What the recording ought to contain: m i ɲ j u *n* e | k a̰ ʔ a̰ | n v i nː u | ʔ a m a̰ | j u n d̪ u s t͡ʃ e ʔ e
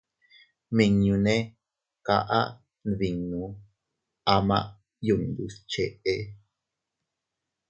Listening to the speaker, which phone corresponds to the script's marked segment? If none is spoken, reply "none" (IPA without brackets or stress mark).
n